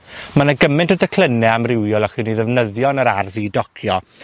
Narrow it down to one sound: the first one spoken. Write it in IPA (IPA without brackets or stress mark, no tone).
m